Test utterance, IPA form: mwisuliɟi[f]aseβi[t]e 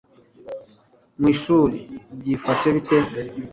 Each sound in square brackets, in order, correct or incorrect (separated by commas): correct, correct